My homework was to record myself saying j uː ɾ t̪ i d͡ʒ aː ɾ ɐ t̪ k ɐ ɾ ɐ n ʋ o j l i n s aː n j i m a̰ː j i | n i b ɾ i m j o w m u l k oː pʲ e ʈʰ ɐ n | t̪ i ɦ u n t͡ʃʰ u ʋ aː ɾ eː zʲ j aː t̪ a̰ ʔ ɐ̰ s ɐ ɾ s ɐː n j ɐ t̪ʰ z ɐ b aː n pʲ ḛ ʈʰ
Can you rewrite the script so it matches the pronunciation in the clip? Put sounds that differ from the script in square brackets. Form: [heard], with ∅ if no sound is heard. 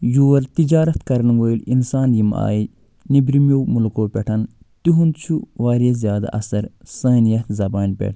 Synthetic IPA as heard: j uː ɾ t̪ i d͡ʒ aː ɾ ɐ t̪ k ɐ ɾ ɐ n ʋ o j l i n s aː n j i m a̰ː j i | n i b ɾ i m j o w m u l k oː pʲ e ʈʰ ɐ n | t̪ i ɦ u n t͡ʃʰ u ʋ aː ɾ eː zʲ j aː [d̪] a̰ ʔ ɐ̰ s ɐ ɾ s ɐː n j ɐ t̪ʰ z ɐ b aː n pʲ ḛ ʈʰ